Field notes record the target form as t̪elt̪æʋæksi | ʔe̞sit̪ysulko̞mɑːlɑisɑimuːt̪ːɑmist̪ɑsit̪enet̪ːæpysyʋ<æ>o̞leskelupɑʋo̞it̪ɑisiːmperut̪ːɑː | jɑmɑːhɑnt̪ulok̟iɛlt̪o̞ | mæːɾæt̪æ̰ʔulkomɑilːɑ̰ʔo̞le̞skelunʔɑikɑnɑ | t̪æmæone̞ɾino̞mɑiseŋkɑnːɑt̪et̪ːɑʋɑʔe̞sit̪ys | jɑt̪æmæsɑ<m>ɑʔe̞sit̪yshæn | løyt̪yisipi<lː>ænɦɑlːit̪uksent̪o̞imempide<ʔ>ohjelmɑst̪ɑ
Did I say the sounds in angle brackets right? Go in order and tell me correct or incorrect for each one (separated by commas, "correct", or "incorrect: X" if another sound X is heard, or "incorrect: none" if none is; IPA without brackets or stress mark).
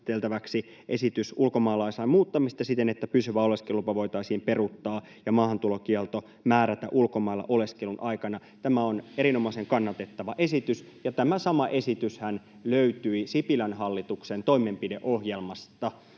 correct, correct, incorrect: l, correct